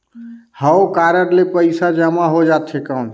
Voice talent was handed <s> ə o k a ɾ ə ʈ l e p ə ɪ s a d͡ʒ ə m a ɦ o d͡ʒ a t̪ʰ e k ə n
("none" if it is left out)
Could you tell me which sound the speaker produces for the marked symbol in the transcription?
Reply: h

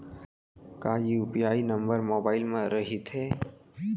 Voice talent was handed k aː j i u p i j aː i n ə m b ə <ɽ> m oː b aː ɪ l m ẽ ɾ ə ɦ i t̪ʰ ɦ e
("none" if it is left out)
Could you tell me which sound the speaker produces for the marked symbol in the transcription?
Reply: ɾ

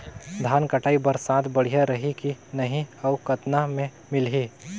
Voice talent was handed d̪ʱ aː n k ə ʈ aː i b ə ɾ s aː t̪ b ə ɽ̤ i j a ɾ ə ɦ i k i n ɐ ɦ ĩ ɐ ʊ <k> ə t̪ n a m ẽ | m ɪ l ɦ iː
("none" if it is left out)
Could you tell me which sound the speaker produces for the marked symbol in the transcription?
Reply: k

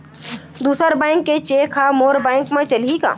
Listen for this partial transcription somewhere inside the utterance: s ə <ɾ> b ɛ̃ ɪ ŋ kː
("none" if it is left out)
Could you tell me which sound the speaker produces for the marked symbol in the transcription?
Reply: ɾ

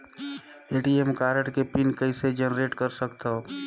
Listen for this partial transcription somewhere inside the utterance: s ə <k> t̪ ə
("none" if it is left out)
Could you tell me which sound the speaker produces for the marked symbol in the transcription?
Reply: k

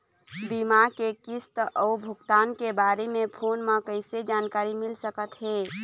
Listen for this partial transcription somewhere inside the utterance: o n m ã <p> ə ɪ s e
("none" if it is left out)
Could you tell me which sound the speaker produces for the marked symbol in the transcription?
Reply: k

